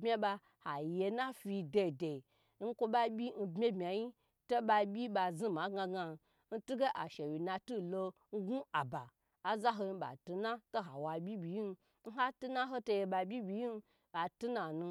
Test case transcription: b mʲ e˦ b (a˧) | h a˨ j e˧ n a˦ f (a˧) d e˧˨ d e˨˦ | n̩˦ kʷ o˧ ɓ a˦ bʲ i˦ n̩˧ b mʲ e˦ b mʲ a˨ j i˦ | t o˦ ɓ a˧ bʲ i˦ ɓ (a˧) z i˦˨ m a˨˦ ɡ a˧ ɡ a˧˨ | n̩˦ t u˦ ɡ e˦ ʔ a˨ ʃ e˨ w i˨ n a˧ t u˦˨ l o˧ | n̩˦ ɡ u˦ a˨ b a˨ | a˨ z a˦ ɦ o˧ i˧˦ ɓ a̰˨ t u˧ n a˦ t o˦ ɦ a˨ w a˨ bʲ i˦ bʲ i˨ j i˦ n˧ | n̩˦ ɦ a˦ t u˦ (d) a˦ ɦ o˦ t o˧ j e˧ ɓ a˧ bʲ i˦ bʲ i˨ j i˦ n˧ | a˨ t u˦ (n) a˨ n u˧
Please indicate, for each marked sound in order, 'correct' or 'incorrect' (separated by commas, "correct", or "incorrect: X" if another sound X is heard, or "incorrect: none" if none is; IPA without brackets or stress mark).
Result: correct, incorrect: i˧, correct, incorrect: n, correct